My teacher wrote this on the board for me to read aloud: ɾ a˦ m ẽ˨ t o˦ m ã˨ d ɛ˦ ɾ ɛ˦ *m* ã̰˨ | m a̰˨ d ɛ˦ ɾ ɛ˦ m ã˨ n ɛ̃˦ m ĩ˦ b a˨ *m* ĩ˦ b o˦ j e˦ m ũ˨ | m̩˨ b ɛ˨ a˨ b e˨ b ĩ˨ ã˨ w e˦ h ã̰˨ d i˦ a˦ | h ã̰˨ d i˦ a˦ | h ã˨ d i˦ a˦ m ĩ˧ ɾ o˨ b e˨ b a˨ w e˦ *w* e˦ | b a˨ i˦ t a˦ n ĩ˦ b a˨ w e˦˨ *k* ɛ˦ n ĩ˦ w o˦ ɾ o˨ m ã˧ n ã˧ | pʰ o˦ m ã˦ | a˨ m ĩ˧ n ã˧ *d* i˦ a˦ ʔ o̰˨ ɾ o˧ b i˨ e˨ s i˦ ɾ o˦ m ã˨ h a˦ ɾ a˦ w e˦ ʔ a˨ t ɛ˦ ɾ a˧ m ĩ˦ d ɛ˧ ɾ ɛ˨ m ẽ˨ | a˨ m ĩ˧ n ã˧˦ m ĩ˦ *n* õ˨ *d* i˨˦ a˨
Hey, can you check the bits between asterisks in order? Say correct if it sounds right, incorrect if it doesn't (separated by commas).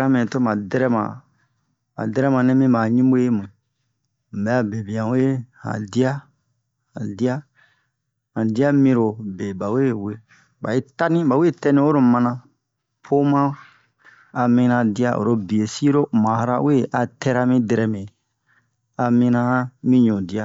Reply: correct, incorrect, correct, incorrect, correct, incorrect, correct